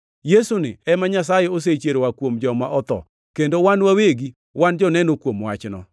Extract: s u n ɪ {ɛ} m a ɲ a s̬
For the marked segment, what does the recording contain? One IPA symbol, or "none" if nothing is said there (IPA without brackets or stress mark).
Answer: ɛ